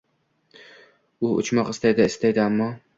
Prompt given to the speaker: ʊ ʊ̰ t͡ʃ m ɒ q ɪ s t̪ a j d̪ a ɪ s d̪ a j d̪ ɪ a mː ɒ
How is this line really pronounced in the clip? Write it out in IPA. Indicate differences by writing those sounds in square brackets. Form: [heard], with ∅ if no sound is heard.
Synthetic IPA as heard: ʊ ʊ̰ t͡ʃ m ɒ q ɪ s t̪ a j d̪ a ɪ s [t̪] a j d̪ ɪ a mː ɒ

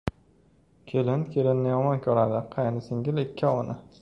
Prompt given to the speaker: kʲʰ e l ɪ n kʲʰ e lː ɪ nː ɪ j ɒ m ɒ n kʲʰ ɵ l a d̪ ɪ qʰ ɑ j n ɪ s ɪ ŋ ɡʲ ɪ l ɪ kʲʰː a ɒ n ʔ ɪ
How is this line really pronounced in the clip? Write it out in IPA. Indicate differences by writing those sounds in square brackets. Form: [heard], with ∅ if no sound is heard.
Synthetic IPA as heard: kʲʰ e l ɪ n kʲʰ e [l] ɪ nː ɪ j ɒ m ɒ n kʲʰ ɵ [ɾ] a d̪ ɪ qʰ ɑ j n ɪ s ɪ ŋ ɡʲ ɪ l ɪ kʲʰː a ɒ n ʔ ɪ

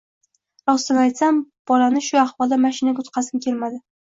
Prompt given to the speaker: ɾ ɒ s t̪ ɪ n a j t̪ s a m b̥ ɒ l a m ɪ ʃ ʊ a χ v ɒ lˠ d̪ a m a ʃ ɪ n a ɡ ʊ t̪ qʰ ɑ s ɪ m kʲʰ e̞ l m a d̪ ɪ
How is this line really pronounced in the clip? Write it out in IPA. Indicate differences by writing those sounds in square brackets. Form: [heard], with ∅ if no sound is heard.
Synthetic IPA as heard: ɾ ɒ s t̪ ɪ n a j t̪ s a m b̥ ɒ l a [n] ɪ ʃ ʊ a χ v ɒ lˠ d̪ a m a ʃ ɪ n a ɡ ʊ t̪ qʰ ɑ s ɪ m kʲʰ e̞ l m a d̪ ɪ

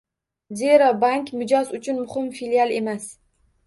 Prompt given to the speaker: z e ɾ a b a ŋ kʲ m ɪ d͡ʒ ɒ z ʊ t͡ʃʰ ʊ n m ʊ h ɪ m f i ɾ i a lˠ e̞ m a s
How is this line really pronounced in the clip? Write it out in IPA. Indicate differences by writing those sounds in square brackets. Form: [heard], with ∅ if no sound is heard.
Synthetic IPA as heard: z e ɾ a b a ŋ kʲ m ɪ d͡ʒ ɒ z ʊ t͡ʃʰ ʊ n m ʊ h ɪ m f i [l] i a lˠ e̞ m a s

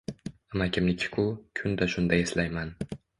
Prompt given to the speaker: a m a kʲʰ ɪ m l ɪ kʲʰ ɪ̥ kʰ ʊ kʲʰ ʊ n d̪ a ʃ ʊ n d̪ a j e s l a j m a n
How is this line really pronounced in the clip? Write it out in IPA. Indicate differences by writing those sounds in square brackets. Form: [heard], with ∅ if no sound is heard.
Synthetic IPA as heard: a m a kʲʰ ɪ m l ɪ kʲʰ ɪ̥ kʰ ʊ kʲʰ ʊ n d̪ a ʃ ʊ n d̪ a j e s l a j m a n

